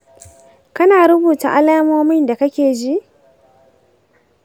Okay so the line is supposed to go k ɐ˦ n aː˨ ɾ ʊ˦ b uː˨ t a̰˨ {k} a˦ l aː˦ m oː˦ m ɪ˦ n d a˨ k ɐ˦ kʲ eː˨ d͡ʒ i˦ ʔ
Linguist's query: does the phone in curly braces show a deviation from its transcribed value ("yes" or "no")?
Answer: yes